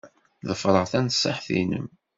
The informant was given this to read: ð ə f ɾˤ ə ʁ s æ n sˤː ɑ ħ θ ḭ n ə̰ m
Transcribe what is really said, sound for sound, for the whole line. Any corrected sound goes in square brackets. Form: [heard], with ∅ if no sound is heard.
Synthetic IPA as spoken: ð ə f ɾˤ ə ʁ [θ] æ n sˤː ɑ ħ θ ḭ n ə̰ m

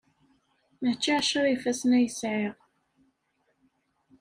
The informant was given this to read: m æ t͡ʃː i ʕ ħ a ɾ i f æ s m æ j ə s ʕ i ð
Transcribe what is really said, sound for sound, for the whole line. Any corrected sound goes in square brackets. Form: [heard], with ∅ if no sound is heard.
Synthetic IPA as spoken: m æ t͡ʃː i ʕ [ʃ] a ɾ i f æ s [n] æ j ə s ʕ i [ʁ]

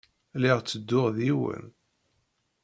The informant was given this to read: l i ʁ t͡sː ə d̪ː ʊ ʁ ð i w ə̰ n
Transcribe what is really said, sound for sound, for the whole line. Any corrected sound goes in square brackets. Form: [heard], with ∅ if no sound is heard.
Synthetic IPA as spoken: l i ʁ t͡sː ə d̪ː ʊ ʁ ð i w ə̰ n

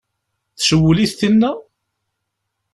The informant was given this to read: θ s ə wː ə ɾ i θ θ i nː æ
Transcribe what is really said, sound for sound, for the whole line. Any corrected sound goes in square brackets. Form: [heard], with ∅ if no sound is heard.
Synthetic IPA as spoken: θ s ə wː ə [l] i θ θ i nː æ

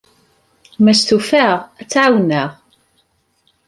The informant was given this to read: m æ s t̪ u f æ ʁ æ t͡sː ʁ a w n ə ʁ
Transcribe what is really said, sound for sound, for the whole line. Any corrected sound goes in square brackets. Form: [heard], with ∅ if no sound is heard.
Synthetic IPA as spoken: m æ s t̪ u f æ ʁ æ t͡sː [ʕ] a w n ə ʁ

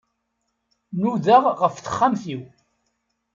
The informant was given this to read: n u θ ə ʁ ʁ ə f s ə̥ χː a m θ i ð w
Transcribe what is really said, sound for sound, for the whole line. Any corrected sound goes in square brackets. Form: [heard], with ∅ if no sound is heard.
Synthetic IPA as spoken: n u [ð] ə ʁ ʁ ə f [θ] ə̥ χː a m θ i [∅] w

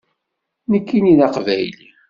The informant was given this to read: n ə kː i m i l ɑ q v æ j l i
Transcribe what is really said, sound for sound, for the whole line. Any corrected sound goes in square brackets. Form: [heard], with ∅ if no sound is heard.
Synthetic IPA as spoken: n ə kː i [n] i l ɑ q v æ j l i

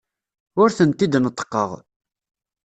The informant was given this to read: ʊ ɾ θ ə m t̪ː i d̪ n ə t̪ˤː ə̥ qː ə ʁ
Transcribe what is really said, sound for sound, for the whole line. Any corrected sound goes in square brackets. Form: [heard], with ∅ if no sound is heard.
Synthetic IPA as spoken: ʊ ɾ θ ə [n] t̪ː i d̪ n ə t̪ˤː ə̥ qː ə ʁ

